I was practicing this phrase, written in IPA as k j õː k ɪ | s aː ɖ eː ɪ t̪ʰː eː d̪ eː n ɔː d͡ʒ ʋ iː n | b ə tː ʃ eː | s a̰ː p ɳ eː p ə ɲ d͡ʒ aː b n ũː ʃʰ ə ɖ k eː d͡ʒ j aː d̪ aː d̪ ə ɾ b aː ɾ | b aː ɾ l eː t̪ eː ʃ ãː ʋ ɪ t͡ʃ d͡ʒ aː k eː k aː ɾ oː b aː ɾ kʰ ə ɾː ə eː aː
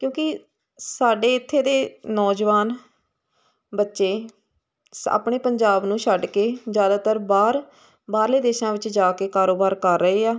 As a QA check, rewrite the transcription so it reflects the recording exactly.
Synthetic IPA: k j õː k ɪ | s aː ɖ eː ɪ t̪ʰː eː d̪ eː n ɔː d͡ʒ ʋ aː n | b ə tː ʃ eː | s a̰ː p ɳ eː p ə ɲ d͡ʒ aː b n ũː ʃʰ ə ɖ k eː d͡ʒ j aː d̪ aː t̪ ə ɾ b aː ɾ | b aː ɾ l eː d̪ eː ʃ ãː ʋ ɪ t͡ʃ d͡ʒ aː k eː k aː ɾ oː b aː ɾ k ə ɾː ə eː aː

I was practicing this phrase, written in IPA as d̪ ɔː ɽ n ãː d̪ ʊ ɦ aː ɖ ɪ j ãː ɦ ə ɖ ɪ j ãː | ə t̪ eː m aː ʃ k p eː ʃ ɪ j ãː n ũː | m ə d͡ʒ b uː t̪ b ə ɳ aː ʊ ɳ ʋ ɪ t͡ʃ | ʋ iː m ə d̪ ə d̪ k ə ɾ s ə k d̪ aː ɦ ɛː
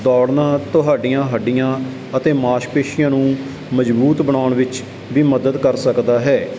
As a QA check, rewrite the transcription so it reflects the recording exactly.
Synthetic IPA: d̪ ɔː ɽ n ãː t̪ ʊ ɦ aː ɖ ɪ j ãː ɦ ə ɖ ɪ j ãː | ə t̪ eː m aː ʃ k p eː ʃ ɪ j ãː n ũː | m ə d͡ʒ b uː t̪ b ə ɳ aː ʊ ɳ ʋ ɪ t͡ʃ | ʋ iː m ə d̪ ə d̪ k ə ɾ s ə k d̪ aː ɦ ɛː

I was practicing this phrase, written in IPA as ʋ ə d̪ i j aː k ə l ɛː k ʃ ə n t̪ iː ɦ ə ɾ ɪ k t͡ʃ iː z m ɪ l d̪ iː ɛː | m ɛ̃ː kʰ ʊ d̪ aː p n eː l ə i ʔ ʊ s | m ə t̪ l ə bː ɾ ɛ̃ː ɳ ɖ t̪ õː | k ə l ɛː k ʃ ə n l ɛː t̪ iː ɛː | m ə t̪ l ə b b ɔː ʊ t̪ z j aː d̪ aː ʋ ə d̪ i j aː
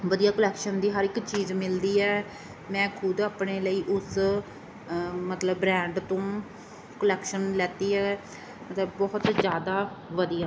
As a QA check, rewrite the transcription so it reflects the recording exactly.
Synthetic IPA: ʋ ə d̪ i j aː k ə l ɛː k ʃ ə n d̪ iː ɦ ə ɾ ɪ k t͡ʃ iː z m ɪ l d̪ iː ɛː | m ɛ̃ː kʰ ʊ d̪ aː p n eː l ə iː ʔ ʊ s | m ə t̪ l ə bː ɾ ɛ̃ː ɳ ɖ t̪ õː | k ə l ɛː k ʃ ə n l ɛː t̪ iː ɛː | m ə t̪ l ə b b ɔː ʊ t̪ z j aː d̪ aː ʋ ə d̪ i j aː

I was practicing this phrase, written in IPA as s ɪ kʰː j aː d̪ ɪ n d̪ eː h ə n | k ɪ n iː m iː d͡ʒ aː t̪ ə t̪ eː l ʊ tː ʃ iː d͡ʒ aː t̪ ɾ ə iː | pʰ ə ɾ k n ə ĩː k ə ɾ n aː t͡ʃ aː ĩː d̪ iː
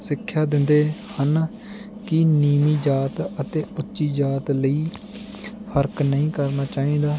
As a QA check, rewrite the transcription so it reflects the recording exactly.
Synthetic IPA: s ɪ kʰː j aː d̪ ɪ n d̪ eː h ə n | k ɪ n iː m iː d͡ʒ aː t̪ ə t̪ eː ʊ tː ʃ iː d͡ʒ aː t̪ l ə iː | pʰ ə ɾ k n ə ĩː k ə ɾ n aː t͡ʃ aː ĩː d̪ aː

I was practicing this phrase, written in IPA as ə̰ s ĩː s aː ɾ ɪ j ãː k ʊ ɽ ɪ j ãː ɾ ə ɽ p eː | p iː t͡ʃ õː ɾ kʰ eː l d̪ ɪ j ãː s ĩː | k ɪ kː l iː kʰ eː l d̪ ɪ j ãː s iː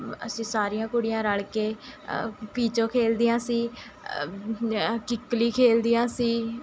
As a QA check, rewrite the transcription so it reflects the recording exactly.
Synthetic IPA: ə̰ s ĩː s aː ɾ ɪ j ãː k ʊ ɽ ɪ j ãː ɾ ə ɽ k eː | p iː t͡ʃ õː kʰ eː l d̪ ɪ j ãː s iː | k ɪ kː l iː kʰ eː l d̪ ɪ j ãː s iː

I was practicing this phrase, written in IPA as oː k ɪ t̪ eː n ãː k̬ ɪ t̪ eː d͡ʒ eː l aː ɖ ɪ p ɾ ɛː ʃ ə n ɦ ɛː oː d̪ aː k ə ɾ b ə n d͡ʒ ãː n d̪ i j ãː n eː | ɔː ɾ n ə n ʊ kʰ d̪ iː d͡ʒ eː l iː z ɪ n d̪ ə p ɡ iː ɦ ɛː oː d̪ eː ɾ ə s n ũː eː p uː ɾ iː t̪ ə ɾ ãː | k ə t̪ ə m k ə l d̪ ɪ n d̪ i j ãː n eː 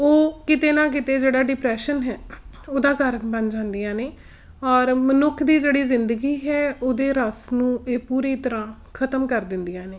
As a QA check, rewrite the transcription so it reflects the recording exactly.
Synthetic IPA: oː k ɪ t̪ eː n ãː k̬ ɪ t̪ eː d͡ʒ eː ɽ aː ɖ ɪ p ɾ ɛː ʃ ə n ɦ ɛː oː d̪ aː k ə ɾ b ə n d͡ʒ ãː n d̪ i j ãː n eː | ɔː ɾ m ə n ʊ kʰ d̪ iː d͡ʒ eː ɽ iː z ɪ n d̪ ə ɡ iː ɦ ɛː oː d̪ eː ɾ ə s n ũː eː p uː ɾ iː t̪ ə ɾ ãː | kʰ ə t̪ ə m k ə ɾ d̪ ɪ n d̪ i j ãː n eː

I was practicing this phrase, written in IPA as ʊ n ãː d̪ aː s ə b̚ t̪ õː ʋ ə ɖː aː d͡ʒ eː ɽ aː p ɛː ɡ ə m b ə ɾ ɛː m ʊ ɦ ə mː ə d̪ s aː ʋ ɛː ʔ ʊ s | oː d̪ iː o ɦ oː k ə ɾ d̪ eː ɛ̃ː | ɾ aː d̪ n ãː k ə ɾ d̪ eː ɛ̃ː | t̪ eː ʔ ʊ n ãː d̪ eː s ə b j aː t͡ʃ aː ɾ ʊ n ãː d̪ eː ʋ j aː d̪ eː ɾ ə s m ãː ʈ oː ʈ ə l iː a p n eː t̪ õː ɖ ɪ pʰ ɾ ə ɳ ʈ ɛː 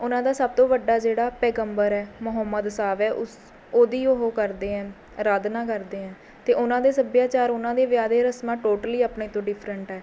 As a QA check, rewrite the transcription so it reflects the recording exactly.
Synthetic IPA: ʊ n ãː d̪ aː s ə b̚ t̪ õː ʋ ə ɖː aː d͡ʒ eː ɽ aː p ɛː ɡ ə m b ə ɾ ɛː m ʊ ɦ ə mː ə d̪ s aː ʋ ɛː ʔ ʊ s | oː d̪ iː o ɦ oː k ə ɾ d̪ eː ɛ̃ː | ɾ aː d̪ n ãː k ə ɾ d̪ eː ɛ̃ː | t̪ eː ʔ ʊ n ãː d̪ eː s ə b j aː t͡ʃ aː ɾ ʊ n ãː d̪ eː ʋ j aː d̪ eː ɾ ə s m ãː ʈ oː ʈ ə l iː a p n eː t̪ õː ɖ ɪ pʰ ɾ ə ɳ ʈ ɛː

